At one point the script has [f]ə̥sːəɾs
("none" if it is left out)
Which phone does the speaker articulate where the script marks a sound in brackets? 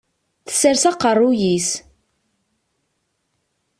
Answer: θ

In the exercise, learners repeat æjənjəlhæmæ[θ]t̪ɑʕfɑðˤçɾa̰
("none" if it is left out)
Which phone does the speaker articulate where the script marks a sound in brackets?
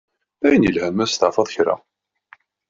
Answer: s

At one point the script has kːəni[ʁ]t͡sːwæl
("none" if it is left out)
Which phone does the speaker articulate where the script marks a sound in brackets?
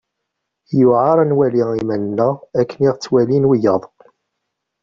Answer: ʁ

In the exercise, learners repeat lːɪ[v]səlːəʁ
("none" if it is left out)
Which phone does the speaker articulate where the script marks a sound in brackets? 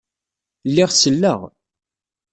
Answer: ʁ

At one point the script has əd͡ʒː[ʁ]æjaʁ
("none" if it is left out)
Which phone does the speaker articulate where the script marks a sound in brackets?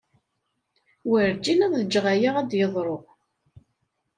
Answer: ʁ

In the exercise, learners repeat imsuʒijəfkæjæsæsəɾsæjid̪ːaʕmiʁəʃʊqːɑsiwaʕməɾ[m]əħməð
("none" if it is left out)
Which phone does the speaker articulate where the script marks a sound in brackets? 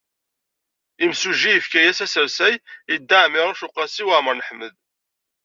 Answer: n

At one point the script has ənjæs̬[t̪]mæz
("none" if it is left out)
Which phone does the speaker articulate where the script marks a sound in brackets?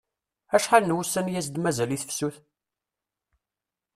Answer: d̪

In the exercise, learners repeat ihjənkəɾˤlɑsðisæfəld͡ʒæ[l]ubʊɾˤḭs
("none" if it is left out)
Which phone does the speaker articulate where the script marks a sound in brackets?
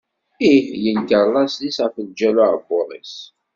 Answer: l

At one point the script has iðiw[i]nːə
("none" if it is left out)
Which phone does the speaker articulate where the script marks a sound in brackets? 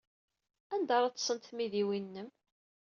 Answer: i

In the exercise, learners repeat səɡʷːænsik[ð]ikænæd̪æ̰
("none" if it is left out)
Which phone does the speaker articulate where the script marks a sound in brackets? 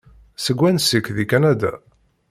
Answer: ð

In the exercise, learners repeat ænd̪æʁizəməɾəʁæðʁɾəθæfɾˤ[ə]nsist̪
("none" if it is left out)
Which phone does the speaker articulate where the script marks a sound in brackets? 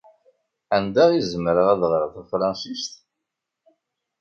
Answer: ɑ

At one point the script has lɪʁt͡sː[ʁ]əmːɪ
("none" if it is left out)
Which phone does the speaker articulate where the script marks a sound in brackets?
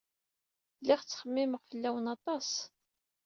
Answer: χ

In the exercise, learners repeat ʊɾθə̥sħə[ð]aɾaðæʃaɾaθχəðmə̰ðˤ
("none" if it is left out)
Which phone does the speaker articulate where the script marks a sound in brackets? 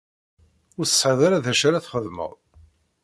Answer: ð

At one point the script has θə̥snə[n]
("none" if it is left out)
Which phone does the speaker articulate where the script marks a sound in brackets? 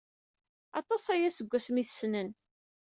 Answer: n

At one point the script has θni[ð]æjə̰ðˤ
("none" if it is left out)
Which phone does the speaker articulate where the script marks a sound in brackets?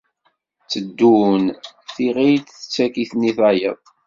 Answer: θ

